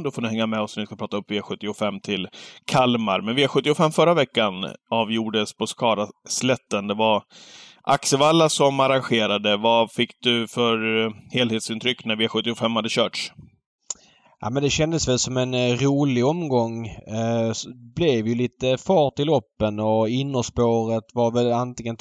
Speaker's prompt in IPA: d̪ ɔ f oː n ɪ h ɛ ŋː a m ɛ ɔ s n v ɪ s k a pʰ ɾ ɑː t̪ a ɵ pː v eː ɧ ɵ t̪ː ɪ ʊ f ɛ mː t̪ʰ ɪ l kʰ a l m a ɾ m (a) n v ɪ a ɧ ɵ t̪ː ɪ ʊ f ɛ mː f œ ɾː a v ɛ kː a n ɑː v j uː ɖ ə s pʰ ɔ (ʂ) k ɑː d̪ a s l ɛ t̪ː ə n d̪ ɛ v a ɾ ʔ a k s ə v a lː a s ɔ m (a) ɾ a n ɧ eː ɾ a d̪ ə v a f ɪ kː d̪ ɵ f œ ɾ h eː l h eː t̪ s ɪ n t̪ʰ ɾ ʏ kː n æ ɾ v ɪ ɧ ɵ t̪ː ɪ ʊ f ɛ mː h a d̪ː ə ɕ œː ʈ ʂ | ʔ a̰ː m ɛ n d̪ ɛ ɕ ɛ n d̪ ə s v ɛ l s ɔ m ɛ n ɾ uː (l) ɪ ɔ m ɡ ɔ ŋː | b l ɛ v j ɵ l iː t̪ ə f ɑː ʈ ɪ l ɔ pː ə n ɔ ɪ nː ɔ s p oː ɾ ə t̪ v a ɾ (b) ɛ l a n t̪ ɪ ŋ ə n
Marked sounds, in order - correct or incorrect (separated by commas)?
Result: incorrect, incorrect, correct, correct, incorrect